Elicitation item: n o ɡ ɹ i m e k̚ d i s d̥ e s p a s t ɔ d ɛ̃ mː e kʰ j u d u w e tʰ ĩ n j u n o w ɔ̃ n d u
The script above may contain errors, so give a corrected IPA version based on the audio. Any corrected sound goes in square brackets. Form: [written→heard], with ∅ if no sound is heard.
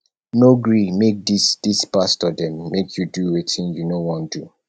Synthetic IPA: n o ɡ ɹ i m e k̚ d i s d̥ [e→i] s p a s t ɔ d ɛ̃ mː e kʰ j u d u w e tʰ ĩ n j u n o w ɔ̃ n d u